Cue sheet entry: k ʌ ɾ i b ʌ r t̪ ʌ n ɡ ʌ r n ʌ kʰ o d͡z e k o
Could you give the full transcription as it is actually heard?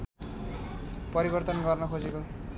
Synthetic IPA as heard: p ʌ ɾ i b ʌ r t̪ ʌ n ɡ ʌ r n ʌ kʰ o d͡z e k o